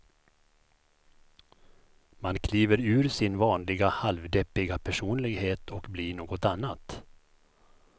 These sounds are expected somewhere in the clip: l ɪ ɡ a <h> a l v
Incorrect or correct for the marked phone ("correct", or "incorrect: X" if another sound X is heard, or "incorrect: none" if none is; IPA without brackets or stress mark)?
correct